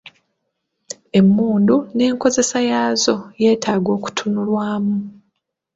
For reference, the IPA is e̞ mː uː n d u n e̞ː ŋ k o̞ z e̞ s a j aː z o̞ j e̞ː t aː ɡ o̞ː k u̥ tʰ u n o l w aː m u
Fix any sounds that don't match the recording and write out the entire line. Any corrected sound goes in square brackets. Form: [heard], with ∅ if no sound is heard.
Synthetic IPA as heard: e̞ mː uː n d u n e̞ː ŋ k o̞ z e̞ s a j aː z o̞ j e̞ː t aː ɡ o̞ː k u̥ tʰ u n [u] l w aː m u